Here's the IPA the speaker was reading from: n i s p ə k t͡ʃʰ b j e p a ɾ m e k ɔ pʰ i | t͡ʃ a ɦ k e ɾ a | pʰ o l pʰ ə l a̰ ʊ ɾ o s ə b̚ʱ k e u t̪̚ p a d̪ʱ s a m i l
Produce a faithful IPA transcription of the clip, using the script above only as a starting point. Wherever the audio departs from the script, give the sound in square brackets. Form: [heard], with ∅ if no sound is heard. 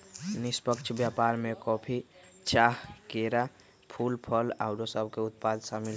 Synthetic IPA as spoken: n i s p ə k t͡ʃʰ b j [a] p a ɾ m e k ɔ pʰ i | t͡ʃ a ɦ k e ɾ a | pʰ [u] l pʰ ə l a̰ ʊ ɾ o s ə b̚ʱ k e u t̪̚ p a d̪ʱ s a m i l